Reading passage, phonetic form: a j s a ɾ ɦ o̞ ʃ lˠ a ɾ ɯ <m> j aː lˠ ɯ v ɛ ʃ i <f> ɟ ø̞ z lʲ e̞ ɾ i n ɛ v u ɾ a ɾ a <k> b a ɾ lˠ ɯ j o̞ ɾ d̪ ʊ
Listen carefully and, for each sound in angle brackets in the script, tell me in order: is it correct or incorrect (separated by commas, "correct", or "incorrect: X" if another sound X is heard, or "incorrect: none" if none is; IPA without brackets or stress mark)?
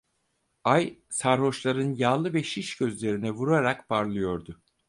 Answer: incorrect: n, incorrect: ʃ, correct